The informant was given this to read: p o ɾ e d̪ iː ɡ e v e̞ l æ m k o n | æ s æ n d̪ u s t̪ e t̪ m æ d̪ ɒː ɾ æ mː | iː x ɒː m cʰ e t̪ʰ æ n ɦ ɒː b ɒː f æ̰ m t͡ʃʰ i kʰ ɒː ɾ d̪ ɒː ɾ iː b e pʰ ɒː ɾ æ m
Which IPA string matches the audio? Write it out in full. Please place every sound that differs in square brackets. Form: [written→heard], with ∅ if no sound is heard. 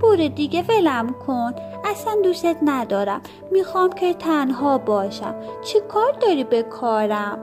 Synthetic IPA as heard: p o ɾ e d̪ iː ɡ e v e̞ l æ m [k→kʰ] o n | æ s æ n d̪ u s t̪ e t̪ [m→n] æ d̪ ɒː ɾ æ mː | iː x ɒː m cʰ e t̪ʰ æ n ɦ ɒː b ɒː [f→ʃ] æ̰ m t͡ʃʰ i kʰ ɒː ɾ d̪ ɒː ɾ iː b e [pʰ→kʰ] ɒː ɾ æ m